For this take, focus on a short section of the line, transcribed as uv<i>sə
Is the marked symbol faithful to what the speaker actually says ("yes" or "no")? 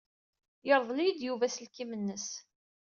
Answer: no